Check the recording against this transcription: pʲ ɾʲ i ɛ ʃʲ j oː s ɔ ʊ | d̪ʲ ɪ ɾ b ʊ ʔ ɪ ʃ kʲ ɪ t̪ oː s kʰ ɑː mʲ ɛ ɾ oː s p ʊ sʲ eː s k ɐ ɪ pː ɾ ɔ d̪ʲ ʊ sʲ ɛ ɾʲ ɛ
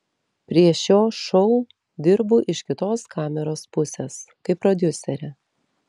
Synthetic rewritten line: pʲ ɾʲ i ɛ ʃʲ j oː ʃ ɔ ʊ | d̪ʲ ɪ ɾ b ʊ ʔ ɪ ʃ kʲ ɪ t̪ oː s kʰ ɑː mʲ ɛ ɾ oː s p ʊ sʲ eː s k ɐ ɪ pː ɾ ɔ d̪ʲ ʊ sʲ ɛ ɾʲ ɛ

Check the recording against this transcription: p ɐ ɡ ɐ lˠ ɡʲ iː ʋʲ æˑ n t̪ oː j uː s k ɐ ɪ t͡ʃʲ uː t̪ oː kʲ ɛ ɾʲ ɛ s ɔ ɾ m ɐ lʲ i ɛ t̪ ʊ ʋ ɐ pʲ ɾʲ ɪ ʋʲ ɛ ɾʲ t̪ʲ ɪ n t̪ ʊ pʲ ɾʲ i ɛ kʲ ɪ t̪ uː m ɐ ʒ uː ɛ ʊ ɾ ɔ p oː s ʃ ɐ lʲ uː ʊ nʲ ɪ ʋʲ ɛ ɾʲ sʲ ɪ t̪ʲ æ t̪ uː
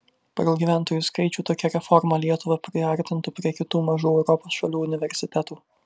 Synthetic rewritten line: p ɐ ɡ ɐ lˠ ɡʲ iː ʋʲ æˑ n t̪ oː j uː s k ɐ ɪ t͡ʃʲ uː t̪ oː kʲ ɛ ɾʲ ɛ f ɔ ɾ m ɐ lʲ i ɛ t̪ ʊ ʋ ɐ pʲ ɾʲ ɪ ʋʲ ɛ ɾʲ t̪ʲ ɪ n t̪ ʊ pʲ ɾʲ i ɛ kʲ ɪ t̪ uː m ɐ ʒ uː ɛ ʊ ɾ ɔ p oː s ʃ ɐ lʲ uː ʊ nʲ ɪ ʋʲ ɛ ɾʲ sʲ ɪ t̪ʲ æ t̪ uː

